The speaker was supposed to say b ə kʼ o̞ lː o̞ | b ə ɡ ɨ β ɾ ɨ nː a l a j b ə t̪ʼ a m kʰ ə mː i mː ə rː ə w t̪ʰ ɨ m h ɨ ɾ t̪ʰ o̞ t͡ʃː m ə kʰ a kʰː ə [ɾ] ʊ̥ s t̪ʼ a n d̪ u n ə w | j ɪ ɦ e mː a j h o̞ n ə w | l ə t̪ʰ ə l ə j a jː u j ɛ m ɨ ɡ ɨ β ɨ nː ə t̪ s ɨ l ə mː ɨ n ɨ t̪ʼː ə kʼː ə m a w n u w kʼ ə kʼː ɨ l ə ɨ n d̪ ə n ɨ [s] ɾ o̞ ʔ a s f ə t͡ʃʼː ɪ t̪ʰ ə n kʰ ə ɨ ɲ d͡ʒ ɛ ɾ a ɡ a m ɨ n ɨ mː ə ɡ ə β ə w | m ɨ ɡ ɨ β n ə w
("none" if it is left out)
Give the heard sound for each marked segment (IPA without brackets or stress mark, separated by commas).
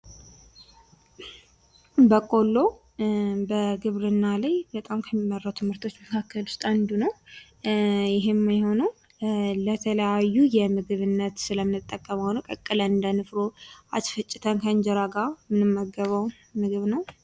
l, f